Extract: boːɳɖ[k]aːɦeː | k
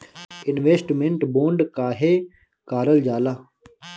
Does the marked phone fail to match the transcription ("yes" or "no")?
no